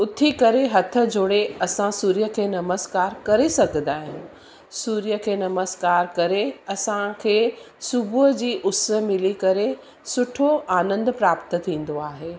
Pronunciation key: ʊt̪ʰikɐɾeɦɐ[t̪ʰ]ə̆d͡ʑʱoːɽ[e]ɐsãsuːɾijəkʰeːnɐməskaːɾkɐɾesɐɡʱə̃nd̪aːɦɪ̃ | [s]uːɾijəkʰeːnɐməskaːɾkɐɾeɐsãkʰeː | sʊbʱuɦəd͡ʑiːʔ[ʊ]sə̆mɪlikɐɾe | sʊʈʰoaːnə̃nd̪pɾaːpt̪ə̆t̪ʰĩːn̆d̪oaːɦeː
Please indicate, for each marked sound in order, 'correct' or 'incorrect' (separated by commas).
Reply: correct, correct, correct, correct